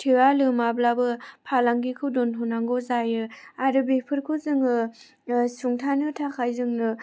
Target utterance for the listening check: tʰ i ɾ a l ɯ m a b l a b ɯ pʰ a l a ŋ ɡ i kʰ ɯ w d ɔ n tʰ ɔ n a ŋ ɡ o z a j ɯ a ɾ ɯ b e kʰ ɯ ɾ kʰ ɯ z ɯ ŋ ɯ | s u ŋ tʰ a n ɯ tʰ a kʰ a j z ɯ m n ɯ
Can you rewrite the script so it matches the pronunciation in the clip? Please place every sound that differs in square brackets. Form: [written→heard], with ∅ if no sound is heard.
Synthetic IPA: tʰ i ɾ a l ɯ m a b l a b ɯ pʰ a l a ŋ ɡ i kʰ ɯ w d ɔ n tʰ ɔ n a ŋ ɡ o z a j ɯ a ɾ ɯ b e [kʰ→pʰ] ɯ ɾ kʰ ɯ z ɯ ŋ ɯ | s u ŋ tʰ a n ɯ tʰ a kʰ a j z ɯ [m→ŋ] n ɯ